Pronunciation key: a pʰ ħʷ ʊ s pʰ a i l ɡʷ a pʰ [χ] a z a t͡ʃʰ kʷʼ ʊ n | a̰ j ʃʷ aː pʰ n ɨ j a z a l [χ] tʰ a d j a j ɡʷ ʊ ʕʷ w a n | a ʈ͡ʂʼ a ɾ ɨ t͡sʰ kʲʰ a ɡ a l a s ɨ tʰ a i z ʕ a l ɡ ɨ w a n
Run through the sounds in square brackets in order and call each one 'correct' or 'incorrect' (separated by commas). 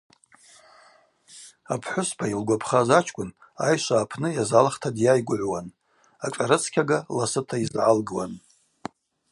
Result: correct, correct